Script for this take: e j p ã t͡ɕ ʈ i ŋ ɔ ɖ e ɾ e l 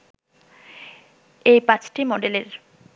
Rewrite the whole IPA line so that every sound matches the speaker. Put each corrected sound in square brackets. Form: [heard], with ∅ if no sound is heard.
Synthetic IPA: e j p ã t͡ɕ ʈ i [m] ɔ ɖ e [l] e [ɾ]